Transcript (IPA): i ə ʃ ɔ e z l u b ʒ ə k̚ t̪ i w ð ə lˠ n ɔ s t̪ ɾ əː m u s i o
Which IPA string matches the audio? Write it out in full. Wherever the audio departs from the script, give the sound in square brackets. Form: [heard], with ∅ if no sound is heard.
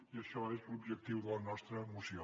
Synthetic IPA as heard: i ə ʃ ɔ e z l u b ʒ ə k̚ t̪ i w ð ə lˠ n ɔ s t̪ ɾ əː m u s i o